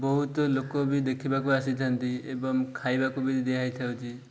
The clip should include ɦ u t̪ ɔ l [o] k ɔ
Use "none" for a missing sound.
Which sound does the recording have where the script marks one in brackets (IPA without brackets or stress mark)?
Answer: o